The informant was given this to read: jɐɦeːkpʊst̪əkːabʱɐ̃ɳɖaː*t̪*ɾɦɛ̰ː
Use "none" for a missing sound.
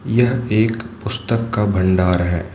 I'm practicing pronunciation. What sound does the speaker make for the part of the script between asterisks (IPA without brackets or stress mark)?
none